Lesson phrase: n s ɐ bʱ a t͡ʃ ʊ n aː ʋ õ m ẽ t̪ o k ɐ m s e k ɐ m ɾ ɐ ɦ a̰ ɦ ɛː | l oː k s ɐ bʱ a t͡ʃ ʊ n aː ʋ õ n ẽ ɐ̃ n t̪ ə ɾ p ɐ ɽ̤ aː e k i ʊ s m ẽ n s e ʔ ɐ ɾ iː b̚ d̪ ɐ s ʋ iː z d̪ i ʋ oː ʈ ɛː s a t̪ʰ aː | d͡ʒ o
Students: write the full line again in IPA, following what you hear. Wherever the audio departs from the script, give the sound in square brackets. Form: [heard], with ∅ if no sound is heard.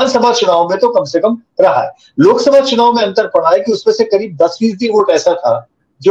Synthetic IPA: n s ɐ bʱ a t͡ʃ ʊ n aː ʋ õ m ẽ t̪ o k ɐ m s e k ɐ m ɾ ɐ ɦ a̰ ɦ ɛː | l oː k s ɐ bʱ a t͡ʃ ʊ n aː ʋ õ [m] ẽ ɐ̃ n t̪ ə ɾ p ɐ ɽ̤ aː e k i ʊ s m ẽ [∅] s e [k] ɐ ɾ iː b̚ d̪ ɐ s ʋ iː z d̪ i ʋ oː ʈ ɛː s a t̪ʰ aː | d͡ʒ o